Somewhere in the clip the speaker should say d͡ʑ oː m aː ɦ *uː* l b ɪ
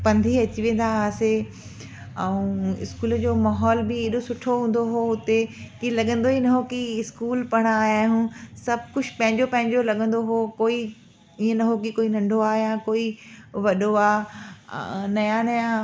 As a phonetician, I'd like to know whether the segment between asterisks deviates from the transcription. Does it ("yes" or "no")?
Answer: yes